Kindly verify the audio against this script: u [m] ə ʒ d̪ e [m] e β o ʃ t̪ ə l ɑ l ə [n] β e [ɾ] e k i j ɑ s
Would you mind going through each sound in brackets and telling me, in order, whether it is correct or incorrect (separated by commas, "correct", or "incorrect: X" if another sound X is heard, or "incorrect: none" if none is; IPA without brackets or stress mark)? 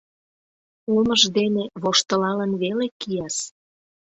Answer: correct, incorrect: n, correct, incorrect: l